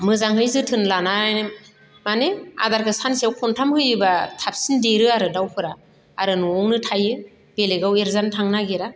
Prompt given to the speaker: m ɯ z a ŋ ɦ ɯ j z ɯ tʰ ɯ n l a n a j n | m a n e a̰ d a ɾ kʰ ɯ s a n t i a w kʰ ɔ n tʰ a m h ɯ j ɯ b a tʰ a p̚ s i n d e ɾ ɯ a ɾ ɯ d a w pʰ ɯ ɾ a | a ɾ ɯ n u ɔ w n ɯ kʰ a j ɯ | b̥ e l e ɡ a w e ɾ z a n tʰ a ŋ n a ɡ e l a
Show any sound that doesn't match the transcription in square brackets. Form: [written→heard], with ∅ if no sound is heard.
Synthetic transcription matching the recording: m ɯ z a ŋ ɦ ɯ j z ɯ tʰ ɯ n l a n a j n | m a n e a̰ d a ɾ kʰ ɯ s a n [t→s] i a w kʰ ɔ n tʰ a m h ɯ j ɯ b a tʰ a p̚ s i n d e ɾ ɯ a ɾ ɯ d a w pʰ ɯ ɾ a | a ɾ ɯ n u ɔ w n ɯ [kʰ→tʰ] a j ɯ | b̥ e l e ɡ a w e ɾ z a n tʰ a ŋ n a ɡ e [l→ɾ] a